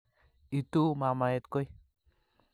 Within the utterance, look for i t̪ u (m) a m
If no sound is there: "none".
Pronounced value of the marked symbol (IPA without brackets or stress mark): m